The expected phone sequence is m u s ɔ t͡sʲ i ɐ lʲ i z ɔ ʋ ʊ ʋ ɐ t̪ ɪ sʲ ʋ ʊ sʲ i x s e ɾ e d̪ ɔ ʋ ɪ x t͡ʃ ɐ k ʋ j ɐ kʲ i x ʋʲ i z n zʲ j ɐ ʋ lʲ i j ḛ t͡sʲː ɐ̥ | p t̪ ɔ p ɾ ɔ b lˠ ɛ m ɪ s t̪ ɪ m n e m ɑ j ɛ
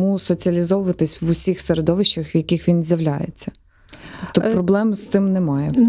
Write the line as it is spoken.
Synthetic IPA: m u s ɔ t͡sʲ i ɐ lʲ i z ɔ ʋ ʊ ʋ ɐ t̪ ɪ sʲ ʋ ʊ sʲ i x s e ɾ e d̪ ɔ ʋ ɪ ʃ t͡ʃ ɐ x ʋ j ɐ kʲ i x ʋʲ i n zʲ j ɐ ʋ lʲ a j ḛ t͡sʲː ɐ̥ | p t̪ ɔ p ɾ ɔ b lˠ ɛ m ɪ s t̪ ɪ m n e m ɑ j ɛ